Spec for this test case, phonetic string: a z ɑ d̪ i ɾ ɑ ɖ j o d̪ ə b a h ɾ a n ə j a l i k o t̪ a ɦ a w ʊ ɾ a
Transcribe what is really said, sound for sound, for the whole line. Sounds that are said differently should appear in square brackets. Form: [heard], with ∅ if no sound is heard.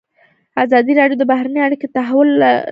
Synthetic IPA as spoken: a z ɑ d̪ i ɾ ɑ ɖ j o d̪ ə b a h ɾ a n ə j a [ɽ] i k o t̪ a ɦ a w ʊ [l] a